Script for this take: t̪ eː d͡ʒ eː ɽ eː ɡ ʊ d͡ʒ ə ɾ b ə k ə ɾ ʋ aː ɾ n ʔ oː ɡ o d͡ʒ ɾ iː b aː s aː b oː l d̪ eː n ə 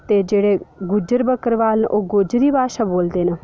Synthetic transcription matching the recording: t̪ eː d͡ʒ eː ɽ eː ɡ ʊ d͡ʒ ə ɾ b ə k ə ɾ ʋ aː l n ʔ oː ɡ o d͡ʒ ɾ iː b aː ʃ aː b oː l d̪ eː n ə